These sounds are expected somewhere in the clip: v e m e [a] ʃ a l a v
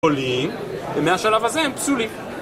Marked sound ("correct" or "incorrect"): correct